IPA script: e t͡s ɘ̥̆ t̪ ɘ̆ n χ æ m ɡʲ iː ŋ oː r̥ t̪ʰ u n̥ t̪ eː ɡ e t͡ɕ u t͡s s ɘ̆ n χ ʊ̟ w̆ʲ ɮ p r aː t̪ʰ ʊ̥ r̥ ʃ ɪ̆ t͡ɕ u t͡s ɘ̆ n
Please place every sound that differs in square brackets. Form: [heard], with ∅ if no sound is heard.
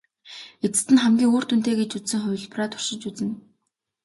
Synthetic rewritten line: e t͡s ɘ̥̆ t̪ ɘ̆ n χ æ m ɡʲ iː ŋ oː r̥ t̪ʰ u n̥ t̪ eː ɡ e t͡ɕ u t͡s s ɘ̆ [ŋ] χ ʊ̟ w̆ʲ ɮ p r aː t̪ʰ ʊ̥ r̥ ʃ ɪ̆ t͡ɕ u t͡s ɘ̆ n